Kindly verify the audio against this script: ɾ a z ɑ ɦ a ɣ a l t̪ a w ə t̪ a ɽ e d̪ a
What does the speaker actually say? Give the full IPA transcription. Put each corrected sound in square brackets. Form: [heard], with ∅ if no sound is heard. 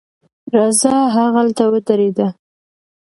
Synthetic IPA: ɾ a z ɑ ɦ a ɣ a l t̪ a w ə t̪ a [ɾ] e d̪ a